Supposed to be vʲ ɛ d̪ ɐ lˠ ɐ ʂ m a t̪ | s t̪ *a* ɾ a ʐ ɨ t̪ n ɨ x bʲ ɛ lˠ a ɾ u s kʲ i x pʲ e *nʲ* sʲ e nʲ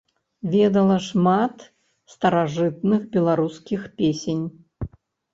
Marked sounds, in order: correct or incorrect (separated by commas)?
incorrect, incorrect